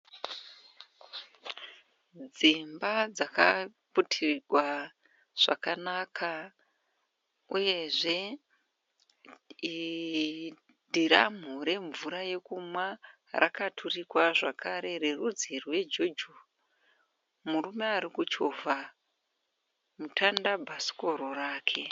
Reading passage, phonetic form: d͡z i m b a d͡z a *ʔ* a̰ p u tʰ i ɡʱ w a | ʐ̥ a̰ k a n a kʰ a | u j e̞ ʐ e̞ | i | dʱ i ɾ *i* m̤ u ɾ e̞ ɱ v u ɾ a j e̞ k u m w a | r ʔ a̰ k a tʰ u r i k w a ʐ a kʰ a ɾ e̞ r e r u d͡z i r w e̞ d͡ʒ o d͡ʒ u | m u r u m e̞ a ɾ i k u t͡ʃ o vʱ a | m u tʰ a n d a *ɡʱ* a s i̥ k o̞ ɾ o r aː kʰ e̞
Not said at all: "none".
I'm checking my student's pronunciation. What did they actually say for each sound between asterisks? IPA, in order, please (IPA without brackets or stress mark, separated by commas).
k, a, bʱ